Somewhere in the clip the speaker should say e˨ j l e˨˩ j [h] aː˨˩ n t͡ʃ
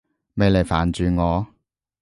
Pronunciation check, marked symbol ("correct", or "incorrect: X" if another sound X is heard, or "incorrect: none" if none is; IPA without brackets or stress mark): incorrect: f